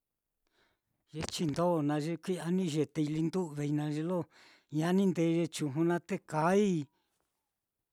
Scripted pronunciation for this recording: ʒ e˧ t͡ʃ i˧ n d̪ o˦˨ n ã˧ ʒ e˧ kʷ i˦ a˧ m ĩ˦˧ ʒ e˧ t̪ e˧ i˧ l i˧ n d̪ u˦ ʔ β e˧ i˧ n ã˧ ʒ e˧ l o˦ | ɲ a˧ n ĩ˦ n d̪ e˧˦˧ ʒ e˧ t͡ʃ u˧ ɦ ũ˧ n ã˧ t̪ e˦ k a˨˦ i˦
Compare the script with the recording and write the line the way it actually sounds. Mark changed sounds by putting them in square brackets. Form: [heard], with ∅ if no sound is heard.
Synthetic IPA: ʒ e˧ t͡ʃ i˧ n d̪ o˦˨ n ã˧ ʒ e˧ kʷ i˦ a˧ [n] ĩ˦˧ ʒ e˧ t̪ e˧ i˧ l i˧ n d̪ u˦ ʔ β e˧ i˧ n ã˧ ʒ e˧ l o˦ | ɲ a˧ n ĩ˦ n d̪ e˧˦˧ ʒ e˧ t͡ʃ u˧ ɦ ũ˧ n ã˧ t̪ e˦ k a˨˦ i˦